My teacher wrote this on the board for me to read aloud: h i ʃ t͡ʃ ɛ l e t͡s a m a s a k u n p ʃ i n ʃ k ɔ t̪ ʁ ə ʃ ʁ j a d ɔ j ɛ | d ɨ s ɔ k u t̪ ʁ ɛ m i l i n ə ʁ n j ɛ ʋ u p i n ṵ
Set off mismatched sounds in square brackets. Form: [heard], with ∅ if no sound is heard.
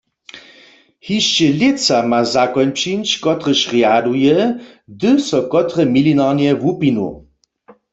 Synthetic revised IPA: h i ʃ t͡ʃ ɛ l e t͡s a m a [z] a k [ɔ] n p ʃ i n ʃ k ɔ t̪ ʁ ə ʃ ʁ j a d [u] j ɛ | d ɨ s ɔ k [ɔ] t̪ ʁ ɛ m i l i n [a] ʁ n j ɛ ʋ u p i n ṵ